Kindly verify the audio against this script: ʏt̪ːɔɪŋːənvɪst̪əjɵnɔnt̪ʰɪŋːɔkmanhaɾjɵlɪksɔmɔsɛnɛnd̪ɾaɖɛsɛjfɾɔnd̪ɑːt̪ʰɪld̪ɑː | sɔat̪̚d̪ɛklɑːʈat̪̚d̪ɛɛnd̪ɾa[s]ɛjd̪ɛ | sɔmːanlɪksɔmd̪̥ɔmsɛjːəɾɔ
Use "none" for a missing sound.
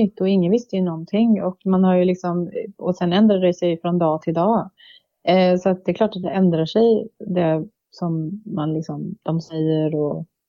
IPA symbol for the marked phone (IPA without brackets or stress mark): ʂ